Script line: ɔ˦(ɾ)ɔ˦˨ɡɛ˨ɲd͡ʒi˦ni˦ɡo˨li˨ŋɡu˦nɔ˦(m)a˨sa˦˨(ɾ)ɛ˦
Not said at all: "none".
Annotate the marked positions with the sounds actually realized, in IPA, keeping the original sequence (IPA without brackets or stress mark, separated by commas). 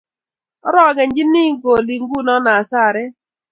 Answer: ɾ, n, ɾ